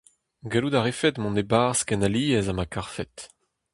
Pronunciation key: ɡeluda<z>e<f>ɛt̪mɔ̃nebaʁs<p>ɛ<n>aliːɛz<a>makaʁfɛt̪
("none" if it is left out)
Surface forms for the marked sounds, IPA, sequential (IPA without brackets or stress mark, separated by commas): ʁ, f, k, n, a